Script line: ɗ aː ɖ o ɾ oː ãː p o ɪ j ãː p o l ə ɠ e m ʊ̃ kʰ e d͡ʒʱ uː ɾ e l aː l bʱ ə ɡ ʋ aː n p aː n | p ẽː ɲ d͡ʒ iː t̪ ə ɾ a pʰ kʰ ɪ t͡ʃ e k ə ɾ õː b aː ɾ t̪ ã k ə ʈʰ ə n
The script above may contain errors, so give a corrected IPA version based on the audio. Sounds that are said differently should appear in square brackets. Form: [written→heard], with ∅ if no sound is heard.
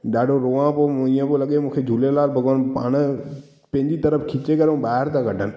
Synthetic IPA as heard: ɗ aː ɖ o ɾ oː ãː p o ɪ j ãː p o l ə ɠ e m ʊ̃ kʰ e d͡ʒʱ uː [ɾ→l] e l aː l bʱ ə ɡ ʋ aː n p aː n | p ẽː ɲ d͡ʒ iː t̪ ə ɾ [a→ə] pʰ kʰ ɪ t͡ʃ e k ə ɾ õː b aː ɾ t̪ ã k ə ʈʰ ə n